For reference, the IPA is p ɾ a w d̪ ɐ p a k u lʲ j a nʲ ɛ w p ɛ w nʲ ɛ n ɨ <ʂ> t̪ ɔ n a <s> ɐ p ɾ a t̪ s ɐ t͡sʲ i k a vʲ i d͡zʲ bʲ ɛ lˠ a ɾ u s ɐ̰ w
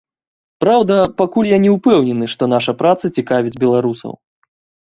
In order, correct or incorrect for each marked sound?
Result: correct, incorrect: ʂ

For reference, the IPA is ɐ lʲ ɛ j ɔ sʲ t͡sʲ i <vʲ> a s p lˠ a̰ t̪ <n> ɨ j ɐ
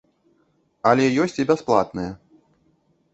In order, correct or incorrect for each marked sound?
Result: incorrect: bʲ, correct

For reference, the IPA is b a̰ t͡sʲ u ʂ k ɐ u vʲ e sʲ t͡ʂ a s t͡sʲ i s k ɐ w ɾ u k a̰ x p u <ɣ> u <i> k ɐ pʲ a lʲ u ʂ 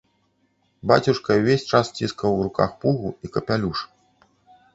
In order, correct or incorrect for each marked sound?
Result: correct, correct

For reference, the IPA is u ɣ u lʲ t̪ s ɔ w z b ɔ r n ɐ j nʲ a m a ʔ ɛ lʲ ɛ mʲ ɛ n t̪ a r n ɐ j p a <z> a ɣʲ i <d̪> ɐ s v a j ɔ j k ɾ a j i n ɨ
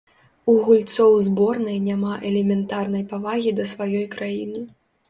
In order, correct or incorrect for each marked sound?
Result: incorrect: v, correct

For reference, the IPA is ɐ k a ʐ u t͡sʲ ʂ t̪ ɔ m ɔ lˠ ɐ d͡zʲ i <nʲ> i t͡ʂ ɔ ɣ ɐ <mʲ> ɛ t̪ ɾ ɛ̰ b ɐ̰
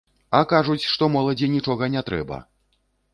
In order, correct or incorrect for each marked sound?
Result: correct, incorrect: nʲ

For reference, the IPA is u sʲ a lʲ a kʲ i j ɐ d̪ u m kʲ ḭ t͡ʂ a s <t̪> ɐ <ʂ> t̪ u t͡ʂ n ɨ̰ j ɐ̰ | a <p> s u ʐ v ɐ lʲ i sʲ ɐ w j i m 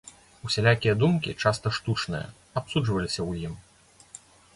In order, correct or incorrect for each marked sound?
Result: correct, correct, correct

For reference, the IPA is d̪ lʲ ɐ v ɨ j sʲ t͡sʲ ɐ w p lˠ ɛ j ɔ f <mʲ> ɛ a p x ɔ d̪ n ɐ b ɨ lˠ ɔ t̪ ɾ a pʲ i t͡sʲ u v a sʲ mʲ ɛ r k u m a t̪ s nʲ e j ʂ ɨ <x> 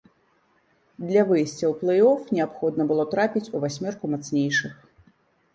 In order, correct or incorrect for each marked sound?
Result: incorrect: nʲ, correct

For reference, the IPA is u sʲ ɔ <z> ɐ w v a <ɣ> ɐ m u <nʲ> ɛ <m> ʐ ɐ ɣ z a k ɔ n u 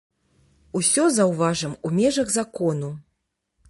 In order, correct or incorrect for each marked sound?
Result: correct, incorrect: ʐ, incorrect: mʲ, incorrect: none

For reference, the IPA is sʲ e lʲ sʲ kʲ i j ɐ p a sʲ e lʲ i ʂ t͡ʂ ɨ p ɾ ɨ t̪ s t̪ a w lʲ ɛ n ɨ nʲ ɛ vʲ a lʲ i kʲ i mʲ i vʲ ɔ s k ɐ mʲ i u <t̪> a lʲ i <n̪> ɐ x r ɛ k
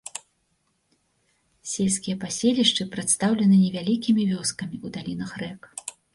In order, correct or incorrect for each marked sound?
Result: incorrect: d̪, correct

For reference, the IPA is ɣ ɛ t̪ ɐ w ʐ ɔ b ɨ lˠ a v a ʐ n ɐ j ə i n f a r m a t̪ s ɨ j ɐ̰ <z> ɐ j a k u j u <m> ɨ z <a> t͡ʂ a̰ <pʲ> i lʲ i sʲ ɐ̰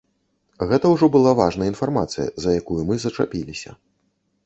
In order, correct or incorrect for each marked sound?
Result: correct, correct, incorrect: ɐ, correct

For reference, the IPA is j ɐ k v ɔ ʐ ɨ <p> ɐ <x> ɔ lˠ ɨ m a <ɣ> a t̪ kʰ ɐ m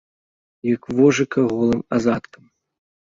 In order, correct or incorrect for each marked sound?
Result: incorrect: k, incorrect: ɣ, incorrect: z

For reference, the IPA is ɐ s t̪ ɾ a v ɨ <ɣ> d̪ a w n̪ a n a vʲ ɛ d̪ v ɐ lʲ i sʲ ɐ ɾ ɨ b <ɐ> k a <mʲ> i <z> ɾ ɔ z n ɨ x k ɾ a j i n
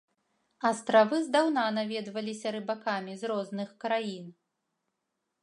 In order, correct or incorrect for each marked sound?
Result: incorrect: z, incorrect: a, correct, correct

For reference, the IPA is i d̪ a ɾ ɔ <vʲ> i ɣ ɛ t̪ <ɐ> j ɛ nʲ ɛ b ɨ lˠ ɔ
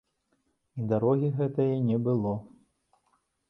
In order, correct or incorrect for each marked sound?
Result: incorrect: ɣʲ, correct

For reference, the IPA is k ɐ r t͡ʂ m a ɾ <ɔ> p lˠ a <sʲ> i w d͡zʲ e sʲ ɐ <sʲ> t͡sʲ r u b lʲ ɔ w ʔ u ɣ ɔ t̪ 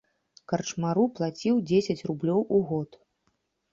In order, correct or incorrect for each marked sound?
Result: incorrect: u, incorrect: t͡sʲ, incorrect: none

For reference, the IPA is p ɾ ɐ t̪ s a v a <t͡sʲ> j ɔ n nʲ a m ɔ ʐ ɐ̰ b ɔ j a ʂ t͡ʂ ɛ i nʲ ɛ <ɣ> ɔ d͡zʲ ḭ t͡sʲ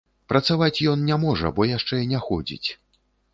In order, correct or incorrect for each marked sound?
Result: correct, incorrect: x

